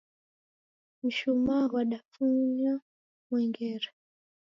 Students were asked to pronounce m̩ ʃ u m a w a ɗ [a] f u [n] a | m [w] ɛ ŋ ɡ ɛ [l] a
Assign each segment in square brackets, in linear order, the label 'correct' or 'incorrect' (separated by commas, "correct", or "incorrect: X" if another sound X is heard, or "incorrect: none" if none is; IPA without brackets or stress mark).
correct, incorrect: ɲ, correct, incorrect: ɾ